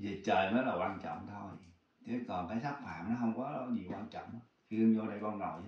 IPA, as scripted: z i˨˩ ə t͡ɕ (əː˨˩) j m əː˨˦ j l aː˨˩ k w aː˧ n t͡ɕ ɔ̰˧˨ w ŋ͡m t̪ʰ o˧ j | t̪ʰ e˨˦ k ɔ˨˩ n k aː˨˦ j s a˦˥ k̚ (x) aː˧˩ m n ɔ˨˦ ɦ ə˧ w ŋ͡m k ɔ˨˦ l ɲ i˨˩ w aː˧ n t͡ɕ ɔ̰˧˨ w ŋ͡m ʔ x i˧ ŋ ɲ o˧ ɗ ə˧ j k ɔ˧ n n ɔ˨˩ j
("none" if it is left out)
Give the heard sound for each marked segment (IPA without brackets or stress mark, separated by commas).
əː˨˩, f